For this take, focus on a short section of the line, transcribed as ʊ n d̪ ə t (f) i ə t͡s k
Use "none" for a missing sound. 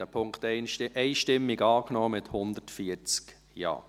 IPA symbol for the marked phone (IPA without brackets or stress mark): f